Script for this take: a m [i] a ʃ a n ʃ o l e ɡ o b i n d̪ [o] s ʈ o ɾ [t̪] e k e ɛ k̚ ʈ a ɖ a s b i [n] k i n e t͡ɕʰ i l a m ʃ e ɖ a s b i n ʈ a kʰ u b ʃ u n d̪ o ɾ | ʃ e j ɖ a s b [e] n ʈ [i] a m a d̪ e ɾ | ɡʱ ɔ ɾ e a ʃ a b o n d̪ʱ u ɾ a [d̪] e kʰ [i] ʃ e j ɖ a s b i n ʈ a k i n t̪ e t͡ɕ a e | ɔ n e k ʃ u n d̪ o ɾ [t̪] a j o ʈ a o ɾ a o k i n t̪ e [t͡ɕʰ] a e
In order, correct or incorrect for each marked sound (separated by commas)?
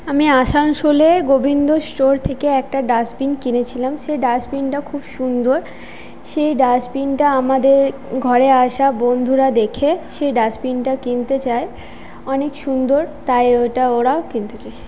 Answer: correct, correct, incorrect, correct, incorrect, incorrect, correct, incorrect, correct, incorrect